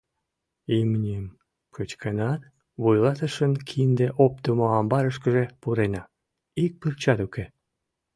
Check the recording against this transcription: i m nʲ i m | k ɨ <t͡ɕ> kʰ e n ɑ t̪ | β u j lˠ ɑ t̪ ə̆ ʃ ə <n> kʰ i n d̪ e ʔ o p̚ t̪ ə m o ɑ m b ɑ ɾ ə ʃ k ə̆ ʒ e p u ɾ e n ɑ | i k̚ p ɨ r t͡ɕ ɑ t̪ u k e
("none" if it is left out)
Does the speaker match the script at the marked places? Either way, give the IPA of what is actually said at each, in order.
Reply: t͡ɕ, n

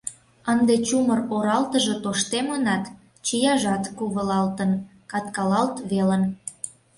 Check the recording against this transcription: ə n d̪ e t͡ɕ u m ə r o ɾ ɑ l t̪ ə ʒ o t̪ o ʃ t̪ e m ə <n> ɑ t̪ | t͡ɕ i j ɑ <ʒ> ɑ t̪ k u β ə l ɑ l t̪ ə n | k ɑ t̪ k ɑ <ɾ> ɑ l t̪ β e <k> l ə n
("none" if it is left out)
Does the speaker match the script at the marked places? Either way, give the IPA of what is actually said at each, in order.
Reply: n, ʒ, l, none

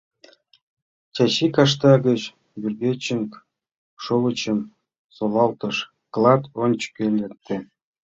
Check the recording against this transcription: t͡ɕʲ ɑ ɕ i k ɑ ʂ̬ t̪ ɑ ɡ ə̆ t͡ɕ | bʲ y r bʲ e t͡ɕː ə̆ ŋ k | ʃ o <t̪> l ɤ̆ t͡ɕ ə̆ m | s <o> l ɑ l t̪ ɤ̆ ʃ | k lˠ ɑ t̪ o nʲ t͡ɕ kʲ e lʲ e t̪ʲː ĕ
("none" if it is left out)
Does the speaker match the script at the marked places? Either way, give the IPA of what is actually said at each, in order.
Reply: none, o

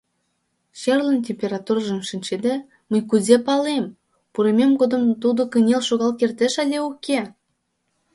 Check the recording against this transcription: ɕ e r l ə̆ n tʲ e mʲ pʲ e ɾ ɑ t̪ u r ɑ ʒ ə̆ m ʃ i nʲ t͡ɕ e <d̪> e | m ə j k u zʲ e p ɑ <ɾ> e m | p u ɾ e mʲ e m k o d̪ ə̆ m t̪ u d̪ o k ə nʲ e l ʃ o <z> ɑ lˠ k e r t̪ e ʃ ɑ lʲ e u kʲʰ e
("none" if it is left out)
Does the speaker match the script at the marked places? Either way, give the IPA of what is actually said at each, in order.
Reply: d̪, l, ɣ

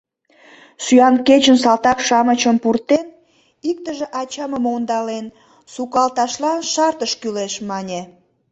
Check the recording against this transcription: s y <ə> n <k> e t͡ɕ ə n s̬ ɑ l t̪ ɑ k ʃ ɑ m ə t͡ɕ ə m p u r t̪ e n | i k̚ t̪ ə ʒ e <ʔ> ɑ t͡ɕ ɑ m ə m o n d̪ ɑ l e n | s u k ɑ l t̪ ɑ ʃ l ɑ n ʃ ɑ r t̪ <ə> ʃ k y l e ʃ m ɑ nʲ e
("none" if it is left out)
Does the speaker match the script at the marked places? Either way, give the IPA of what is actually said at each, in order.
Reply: ɑ, k, ʔ, ə

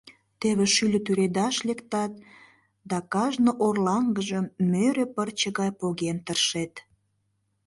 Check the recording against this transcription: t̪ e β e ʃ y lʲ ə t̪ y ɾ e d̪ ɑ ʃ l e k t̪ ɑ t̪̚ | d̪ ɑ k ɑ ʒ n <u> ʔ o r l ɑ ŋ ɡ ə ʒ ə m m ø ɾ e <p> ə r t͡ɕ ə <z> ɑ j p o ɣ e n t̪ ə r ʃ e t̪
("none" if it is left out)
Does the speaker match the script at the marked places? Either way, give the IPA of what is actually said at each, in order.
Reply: o, p, ɣ

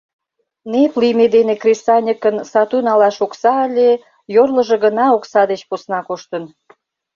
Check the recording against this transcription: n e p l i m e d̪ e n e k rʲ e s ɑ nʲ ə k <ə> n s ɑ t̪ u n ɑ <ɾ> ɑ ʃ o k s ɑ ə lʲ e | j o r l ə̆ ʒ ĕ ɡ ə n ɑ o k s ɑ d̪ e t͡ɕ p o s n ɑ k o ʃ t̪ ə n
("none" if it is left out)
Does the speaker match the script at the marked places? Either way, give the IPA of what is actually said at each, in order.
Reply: ə, l

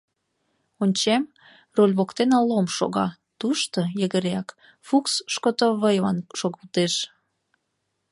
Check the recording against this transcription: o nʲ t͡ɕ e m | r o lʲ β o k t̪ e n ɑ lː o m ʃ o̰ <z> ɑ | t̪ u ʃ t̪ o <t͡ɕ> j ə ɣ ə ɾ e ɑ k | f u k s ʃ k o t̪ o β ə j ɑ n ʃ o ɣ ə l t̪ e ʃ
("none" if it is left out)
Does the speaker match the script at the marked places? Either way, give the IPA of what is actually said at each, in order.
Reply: ɣ, none

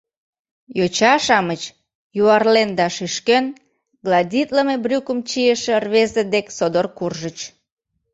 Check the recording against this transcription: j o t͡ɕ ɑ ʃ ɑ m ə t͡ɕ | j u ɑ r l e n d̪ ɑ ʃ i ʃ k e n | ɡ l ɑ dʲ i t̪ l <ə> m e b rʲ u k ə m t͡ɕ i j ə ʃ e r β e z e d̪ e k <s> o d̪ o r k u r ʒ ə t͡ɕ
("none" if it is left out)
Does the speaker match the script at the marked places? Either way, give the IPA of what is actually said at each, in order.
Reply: ə, s

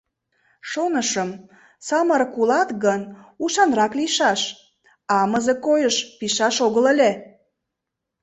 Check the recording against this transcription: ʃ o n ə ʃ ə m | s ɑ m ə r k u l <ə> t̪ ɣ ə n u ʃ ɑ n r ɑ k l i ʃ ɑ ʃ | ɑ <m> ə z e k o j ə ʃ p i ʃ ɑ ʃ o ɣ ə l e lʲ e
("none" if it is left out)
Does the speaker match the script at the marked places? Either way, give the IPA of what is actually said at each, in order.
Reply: ɑ, m

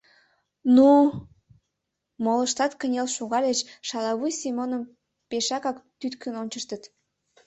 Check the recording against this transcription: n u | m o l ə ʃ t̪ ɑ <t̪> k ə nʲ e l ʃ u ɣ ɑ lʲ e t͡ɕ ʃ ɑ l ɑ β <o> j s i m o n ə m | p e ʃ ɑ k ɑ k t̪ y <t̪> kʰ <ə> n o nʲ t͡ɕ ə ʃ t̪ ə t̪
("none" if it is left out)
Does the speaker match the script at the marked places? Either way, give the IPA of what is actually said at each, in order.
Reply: t̪, u, t̪, ə

